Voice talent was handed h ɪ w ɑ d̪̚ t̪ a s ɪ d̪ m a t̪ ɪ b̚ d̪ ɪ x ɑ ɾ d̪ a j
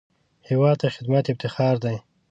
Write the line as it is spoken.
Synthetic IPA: h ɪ w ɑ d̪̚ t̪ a x ɪ d̪ m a t̪ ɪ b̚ t̪ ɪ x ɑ ɾ d̪ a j